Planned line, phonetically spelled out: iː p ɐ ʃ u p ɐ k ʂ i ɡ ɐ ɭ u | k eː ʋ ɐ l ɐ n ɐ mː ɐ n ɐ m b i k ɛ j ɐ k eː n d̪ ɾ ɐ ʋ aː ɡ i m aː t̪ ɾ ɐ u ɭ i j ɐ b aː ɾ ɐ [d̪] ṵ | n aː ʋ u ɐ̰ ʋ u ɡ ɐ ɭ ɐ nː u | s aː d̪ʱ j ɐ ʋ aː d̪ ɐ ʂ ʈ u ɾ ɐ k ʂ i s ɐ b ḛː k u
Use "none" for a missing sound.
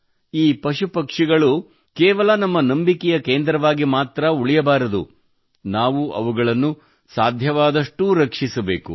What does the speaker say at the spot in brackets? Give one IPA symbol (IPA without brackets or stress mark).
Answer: d̪